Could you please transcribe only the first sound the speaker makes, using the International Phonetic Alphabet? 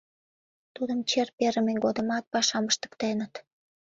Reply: t̪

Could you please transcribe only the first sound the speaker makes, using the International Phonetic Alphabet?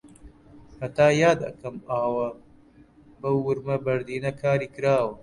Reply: h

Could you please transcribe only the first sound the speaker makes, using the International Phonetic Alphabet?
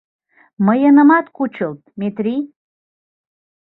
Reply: m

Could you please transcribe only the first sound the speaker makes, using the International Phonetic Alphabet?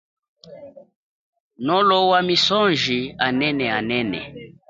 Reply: n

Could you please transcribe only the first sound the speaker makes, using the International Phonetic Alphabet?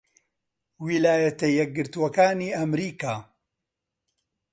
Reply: w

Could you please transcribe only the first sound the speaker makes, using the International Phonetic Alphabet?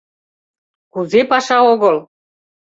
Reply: k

